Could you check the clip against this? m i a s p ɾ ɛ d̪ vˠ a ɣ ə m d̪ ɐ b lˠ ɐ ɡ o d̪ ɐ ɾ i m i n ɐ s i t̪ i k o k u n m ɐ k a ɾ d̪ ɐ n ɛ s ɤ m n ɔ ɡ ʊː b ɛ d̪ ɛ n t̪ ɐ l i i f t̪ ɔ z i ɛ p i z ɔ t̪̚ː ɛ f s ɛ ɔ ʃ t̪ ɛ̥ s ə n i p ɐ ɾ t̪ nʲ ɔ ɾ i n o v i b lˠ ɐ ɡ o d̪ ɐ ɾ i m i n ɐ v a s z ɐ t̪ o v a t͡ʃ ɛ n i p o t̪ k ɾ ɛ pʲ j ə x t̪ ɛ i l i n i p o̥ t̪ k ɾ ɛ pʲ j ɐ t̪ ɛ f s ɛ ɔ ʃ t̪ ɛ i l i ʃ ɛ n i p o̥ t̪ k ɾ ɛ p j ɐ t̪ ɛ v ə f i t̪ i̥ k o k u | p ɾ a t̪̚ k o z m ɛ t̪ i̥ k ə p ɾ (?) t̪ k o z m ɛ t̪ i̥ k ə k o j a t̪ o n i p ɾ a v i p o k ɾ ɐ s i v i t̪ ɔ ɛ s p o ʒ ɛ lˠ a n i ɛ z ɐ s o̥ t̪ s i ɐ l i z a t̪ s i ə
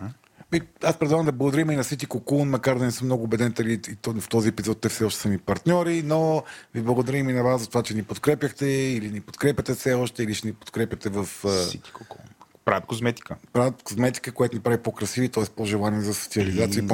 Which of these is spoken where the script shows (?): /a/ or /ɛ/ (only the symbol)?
a